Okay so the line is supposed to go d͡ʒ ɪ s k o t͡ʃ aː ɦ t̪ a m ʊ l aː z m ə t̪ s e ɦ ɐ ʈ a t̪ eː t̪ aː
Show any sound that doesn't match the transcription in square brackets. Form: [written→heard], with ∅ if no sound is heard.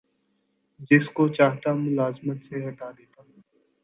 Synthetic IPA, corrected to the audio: d͡ʒ ɪ s k o t͡ʃ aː ɦ t̪ a m ʊ l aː z m ə t̪ s e ɦ ɐ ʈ a [t̪→d̪] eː t̪ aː